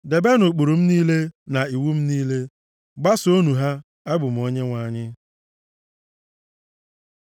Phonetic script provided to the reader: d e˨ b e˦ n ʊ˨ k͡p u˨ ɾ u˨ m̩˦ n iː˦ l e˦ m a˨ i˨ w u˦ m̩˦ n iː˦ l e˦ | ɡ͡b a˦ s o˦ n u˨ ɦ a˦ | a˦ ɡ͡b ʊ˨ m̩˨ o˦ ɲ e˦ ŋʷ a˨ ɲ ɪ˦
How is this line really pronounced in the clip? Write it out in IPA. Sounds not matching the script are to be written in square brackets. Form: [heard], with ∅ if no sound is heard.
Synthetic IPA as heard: d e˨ b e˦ n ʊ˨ k͡p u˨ ɾ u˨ m̩˦ n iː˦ l e˦ [n] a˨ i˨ w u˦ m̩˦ n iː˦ l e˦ | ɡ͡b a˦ s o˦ n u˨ ɦ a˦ | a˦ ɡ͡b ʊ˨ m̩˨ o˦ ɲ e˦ ŋʷ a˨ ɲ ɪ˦